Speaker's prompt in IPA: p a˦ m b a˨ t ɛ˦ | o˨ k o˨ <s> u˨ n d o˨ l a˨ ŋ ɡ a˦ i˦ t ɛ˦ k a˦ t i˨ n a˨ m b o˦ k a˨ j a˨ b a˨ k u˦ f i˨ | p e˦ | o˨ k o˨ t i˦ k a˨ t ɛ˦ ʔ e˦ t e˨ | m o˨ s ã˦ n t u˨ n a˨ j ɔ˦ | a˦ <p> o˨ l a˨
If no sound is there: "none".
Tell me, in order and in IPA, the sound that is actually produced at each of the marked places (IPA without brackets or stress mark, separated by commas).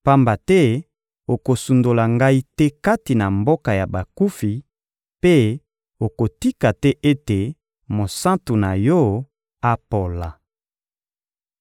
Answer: s, p